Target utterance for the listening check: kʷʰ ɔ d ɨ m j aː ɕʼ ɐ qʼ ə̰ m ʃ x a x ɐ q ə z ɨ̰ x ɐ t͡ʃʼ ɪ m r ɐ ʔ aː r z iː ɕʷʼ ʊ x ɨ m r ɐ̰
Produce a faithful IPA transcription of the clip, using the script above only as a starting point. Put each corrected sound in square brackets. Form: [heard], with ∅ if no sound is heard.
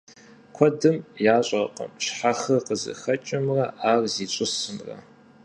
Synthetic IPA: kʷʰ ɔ d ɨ m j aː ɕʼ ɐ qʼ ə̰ m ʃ [ħ] a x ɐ q ə z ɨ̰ x ɐ t͡ʃʼ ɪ m r ɐ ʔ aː r z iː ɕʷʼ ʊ [s] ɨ m r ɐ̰